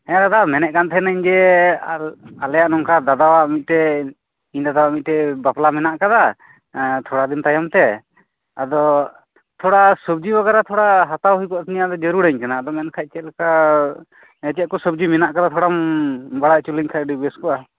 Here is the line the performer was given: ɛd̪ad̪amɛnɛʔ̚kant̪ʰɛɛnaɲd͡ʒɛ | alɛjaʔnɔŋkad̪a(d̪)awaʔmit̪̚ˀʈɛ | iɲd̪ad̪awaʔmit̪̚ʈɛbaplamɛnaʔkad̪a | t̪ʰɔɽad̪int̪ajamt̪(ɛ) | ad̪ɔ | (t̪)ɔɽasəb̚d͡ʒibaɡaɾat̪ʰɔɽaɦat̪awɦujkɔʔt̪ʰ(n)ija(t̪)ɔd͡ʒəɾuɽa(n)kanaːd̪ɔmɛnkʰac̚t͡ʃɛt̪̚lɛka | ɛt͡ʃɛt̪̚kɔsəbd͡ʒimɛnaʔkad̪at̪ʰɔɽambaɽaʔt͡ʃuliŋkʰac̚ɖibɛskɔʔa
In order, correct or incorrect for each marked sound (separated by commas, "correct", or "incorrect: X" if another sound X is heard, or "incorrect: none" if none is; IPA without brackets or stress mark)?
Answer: correct, correct, incorrect: t̪ʰ, correct, incorrect: d̪, incorrect: ɲ